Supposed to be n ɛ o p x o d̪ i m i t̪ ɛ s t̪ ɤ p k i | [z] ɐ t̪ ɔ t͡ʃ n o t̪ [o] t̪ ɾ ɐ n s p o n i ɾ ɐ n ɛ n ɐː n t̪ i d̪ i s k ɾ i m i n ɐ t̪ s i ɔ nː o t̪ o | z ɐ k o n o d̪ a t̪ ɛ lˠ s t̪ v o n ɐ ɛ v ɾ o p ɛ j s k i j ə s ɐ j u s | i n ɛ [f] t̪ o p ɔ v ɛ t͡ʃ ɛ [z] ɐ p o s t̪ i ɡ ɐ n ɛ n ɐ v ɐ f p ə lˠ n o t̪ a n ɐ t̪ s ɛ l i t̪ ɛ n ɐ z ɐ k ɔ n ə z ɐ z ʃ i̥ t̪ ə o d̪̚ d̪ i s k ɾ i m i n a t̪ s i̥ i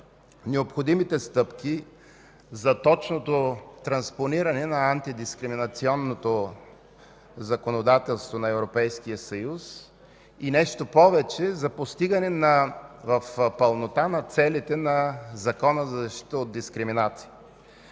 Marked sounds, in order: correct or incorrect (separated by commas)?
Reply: correct, correct, incorrect, correct